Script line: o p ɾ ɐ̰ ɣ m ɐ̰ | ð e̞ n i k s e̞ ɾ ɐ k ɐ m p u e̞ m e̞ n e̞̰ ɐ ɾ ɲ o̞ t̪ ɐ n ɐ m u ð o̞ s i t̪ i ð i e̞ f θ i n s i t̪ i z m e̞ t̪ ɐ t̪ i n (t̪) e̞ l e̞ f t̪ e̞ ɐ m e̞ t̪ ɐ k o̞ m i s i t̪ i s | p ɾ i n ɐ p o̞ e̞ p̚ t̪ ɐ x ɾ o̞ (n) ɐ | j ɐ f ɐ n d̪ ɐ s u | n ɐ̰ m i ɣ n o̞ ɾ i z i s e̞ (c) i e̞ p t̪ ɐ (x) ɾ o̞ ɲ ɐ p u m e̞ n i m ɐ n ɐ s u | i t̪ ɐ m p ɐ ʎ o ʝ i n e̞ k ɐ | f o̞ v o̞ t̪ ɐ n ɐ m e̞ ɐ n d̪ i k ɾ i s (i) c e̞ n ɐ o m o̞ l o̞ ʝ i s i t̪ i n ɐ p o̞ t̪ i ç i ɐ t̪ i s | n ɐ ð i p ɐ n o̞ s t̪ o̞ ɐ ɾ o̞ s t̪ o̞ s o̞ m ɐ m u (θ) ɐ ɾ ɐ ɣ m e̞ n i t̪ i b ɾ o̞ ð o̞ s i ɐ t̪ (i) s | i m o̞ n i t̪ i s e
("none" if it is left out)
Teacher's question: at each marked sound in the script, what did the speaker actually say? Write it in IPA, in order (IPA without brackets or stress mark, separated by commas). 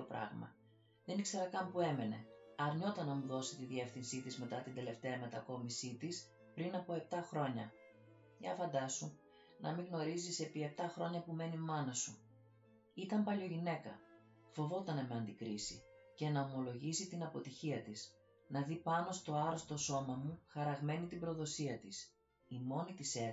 d̪, ɲ, p, x, i, x, i